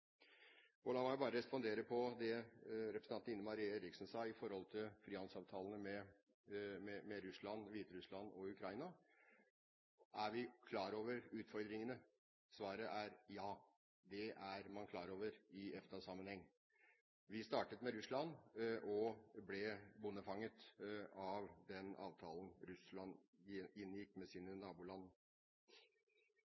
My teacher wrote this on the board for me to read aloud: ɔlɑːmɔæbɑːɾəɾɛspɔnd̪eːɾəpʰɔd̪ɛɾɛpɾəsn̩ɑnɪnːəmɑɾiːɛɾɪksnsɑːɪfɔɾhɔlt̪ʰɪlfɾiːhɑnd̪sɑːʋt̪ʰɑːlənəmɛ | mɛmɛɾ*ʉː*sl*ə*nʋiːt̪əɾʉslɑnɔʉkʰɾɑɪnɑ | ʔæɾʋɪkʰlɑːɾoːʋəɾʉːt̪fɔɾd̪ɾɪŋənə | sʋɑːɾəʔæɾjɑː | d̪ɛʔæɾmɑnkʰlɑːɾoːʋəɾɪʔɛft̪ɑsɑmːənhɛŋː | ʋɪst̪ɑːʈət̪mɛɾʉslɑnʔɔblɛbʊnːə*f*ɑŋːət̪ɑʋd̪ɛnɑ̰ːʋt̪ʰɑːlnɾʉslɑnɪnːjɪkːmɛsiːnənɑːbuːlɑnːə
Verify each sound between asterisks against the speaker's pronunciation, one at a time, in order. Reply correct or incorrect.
incorrect: ʉ, incorrect: ɑ, correct

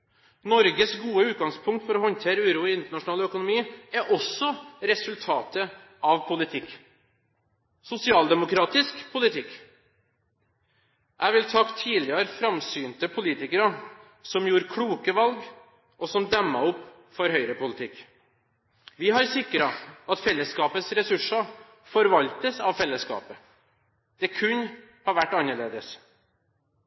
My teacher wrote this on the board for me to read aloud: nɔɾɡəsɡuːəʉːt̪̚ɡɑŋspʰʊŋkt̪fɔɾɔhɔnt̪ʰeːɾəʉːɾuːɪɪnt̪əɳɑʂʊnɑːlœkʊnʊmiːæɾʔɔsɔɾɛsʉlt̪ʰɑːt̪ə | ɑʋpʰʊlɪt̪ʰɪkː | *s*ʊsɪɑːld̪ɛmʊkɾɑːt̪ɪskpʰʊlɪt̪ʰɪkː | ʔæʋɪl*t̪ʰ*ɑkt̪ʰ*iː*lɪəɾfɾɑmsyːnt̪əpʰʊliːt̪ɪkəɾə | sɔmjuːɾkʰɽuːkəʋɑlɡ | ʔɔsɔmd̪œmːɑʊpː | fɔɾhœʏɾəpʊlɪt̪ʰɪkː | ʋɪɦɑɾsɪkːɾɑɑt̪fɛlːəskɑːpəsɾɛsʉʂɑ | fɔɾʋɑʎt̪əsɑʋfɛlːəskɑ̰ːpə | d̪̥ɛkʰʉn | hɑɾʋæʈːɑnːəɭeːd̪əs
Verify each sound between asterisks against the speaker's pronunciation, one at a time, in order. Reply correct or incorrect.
correct, correct, correct

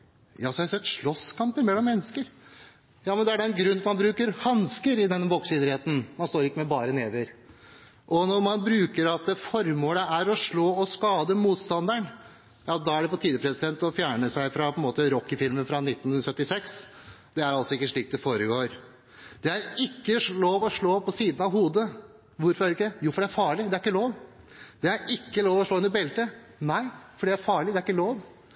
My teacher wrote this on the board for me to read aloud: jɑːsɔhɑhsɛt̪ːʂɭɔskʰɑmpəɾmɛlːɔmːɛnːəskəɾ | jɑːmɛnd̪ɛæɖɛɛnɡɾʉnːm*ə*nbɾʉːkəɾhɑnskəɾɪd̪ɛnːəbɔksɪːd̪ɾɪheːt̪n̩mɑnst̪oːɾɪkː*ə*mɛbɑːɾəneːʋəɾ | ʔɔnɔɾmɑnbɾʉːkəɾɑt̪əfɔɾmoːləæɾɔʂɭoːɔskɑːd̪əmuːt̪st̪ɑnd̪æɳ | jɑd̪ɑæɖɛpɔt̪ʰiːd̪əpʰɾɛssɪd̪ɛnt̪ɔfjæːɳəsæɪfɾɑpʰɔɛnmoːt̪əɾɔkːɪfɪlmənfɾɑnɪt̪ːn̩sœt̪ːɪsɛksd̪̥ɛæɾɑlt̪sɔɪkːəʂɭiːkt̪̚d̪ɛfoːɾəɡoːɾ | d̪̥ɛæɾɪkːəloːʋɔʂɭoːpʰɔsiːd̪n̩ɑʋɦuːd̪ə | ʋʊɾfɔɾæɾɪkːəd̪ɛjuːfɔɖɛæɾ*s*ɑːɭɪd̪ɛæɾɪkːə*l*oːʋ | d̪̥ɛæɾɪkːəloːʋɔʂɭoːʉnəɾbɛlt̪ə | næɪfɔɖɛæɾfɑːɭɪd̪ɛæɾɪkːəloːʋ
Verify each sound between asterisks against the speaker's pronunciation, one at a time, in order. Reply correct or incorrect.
incorrect: ɑ, correct, incorrect: f, correct

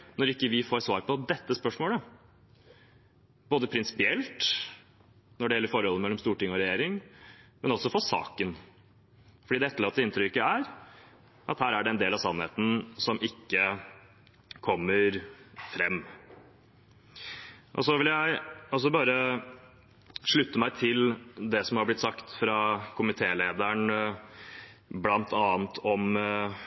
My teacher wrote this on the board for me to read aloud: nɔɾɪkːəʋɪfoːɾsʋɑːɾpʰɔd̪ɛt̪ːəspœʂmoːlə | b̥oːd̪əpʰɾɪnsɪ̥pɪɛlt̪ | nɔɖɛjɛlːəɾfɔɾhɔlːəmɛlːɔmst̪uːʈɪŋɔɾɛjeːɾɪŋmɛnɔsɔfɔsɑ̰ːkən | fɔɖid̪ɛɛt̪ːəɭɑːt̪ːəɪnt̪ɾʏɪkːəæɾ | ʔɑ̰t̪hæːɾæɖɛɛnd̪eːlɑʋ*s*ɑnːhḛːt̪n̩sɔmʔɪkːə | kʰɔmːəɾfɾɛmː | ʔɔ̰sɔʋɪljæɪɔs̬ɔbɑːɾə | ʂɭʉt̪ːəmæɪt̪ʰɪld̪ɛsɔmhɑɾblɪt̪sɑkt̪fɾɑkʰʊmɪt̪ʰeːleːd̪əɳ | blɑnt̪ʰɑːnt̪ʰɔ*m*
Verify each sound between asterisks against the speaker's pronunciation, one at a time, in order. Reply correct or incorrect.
correct, correct

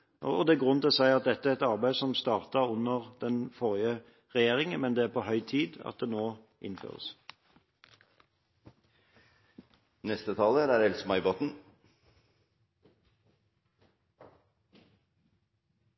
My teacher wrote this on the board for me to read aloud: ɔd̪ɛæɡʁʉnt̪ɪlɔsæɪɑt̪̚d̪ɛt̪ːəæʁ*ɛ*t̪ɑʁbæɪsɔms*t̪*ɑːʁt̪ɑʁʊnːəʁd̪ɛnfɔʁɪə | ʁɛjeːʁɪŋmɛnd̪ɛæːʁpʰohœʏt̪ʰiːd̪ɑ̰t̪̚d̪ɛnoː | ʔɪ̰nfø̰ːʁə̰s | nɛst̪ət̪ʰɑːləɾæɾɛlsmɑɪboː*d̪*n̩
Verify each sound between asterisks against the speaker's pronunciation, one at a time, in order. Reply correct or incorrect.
correct, correct, incorrect: t̪

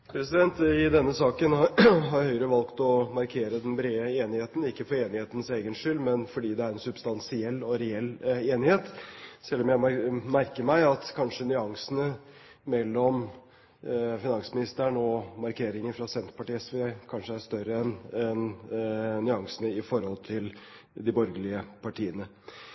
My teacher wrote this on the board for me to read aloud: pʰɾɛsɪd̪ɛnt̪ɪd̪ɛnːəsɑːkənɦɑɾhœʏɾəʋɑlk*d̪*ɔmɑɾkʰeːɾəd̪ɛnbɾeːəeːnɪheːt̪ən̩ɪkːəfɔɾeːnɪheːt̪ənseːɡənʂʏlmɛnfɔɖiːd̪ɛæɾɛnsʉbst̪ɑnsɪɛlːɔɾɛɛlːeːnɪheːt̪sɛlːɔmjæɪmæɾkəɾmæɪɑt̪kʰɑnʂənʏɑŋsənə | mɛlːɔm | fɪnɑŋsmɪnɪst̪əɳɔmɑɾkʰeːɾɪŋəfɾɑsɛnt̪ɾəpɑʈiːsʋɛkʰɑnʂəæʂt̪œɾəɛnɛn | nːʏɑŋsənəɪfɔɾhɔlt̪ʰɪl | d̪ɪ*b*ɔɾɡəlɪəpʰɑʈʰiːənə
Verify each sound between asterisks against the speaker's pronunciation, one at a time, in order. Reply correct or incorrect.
incorrect: t̪, correct

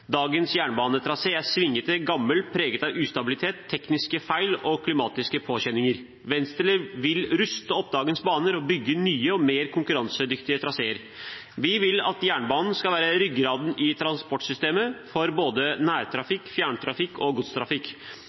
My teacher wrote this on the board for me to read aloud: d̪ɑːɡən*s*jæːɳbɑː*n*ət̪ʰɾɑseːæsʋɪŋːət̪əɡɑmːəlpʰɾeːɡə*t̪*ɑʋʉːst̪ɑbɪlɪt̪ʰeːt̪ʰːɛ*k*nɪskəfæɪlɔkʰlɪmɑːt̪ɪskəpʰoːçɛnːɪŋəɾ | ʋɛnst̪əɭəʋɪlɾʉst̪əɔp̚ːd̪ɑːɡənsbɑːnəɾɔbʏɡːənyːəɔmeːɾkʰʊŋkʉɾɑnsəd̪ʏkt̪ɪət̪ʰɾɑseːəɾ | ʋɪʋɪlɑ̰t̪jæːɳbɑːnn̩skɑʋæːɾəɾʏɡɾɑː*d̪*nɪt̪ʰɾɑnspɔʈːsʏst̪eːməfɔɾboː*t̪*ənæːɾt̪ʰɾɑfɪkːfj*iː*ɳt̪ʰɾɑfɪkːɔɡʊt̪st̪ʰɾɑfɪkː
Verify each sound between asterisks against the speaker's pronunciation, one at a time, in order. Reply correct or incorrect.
correct, correct, correct, correct, correct, incorrect: d̪, incorrect: æː

